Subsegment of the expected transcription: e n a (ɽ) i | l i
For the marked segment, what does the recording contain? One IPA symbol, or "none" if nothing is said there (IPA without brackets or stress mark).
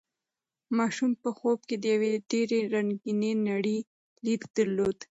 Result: ɽ